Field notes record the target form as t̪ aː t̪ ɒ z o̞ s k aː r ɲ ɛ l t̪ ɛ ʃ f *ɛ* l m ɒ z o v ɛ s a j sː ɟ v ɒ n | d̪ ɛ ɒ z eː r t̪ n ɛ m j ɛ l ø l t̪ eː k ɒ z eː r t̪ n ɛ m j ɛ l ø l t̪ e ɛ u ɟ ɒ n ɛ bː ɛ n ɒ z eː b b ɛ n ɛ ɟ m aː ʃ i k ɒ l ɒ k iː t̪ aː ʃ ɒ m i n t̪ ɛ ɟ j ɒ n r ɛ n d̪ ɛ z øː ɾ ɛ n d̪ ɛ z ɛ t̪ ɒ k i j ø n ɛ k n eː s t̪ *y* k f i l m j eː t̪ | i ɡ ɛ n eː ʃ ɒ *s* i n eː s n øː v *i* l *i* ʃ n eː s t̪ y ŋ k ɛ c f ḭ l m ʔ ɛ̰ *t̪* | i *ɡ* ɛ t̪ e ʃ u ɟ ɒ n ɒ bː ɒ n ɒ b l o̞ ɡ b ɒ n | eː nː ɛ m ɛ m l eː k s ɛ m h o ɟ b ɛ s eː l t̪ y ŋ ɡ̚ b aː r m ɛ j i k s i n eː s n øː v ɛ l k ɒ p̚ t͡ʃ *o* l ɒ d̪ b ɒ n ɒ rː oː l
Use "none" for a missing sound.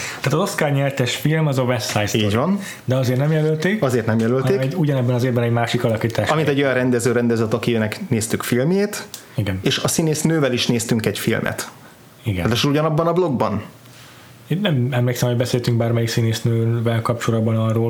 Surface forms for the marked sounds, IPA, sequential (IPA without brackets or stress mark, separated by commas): i, y, s, ɛ, i, t̪, ɡ, o